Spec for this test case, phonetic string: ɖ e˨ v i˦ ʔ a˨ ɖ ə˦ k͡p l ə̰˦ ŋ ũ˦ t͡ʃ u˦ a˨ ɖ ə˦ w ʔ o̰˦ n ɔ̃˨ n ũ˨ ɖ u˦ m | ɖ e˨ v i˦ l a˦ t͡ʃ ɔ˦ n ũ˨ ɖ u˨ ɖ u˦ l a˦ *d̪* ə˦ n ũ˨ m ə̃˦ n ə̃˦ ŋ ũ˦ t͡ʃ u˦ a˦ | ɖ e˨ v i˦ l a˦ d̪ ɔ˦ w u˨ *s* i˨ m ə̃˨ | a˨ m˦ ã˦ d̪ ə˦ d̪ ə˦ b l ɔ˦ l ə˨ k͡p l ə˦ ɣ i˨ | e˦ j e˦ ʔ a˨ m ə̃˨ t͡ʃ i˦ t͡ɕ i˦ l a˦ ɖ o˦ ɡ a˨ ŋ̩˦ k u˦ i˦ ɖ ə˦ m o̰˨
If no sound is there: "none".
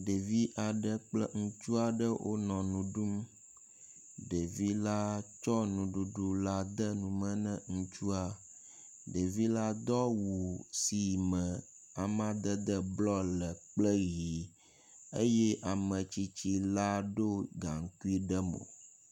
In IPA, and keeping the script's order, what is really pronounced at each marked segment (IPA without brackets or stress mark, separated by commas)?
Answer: d̪, s